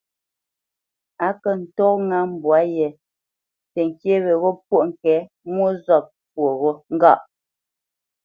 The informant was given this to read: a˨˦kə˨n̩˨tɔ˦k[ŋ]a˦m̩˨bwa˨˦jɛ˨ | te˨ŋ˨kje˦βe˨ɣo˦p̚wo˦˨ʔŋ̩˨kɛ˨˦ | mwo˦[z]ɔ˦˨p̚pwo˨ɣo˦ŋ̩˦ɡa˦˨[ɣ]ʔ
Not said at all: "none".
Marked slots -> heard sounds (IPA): ŋ, z, none

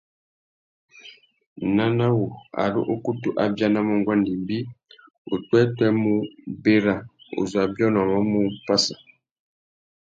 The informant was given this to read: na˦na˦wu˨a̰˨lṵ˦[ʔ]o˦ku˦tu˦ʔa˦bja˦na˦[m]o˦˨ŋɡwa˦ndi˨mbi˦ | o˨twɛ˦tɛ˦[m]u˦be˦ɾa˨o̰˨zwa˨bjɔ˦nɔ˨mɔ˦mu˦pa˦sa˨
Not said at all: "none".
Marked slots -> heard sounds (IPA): ʔ, m, m

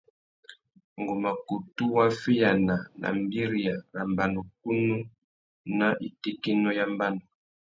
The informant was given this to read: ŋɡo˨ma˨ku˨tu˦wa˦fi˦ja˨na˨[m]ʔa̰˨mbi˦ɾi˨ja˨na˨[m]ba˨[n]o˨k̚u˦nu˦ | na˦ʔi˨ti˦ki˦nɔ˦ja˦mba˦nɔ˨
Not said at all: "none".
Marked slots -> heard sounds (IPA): n, m, n

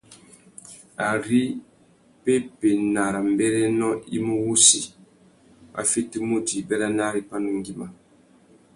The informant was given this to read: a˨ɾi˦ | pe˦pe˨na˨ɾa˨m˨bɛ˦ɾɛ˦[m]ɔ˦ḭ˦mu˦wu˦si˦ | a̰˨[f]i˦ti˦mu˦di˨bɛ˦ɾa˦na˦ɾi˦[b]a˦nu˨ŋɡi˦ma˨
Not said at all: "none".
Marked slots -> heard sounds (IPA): n, f, p

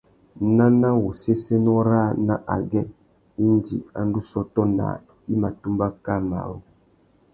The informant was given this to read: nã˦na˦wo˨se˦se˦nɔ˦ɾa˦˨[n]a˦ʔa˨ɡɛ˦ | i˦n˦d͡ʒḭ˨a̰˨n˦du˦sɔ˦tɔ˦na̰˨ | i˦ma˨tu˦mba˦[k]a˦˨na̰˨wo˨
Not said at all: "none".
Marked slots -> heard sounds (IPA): n, k

